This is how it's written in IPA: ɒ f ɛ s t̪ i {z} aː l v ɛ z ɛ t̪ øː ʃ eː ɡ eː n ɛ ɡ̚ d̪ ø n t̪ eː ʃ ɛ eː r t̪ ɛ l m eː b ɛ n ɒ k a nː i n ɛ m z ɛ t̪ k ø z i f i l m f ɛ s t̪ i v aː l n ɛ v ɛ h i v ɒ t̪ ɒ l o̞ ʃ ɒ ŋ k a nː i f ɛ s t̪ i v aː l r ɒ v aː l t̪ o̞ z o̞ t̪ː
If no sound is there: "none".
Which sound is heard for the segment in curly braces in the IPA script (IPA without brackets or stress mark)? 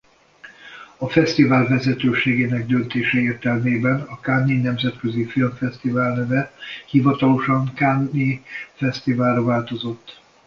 v